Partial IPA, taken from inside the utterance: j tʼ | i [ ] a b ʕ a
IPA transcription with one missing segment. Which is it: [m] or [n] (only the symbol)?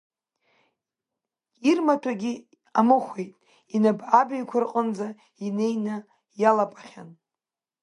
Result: n